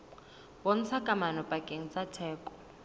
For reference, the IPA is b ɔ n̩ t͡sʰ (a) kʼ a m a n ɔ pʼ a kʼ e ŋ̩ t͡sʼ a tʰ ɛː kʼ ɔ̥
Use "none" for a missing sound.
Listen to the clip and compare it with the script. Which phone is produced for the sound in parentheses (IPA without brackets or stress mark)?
a